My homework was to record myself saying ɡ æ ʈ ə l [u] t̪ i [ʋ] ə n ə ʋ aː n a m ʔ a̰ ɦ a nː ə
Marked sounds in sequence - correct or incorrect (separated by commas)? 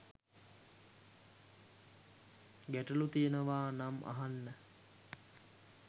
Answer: correct, incorrect